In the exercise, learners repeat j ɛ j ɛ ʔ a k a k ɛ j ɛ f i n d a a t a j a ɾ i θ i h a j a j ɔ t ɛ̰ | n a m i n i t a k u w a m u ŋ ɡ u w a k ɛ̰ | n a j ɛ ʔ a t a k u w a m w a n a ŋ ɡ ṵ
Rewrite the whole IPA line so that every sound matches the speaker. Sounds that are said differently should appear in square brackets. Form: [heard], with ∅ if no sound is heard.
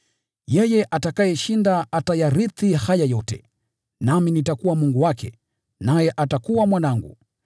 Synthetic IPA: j ɛ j ɛ ʔ a [t] a k [a] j ɛ [ʃ] i n d a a t a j a ɾ i θ i h a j a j ɔ t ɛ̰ | n a m i n i t a k u w a m u ŋ ɡ u w a k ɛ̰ | n a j ɛ ʔ a t a k u w a m w a n a ŋ ɡ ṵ